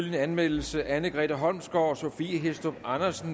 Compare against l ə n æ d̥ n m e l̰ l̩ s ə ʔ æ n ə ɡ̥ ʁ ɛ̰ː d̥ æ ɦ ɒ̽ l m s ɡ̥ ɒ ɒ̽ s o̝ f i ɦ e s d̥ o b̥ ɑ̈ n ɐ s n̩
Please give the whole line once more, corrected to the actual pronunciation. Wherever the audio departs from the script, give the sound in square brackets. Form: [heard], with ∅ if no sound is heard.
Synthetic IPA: l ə n æ [∅] n m e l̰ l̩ s ə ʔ æ n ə ɡ̥ ʁ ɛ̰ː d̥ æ ɦ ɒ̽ l m s ɡ̥ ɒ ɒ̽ s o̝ f i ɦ e s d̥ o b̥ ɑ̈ n ɐ s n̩